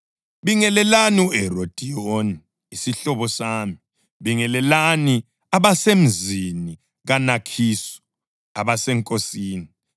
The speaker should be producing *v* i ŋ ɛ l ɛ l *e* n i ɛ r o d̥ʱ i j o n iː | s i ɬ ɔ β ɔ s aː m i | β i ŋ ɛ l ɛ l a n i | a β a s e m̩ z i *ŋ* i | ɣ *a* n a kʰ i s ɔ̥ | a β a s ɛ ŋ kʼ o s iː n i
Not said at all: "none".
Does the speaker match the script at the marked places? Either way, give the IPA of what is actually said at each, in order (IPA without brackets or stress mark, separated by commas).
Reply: β, a, n, a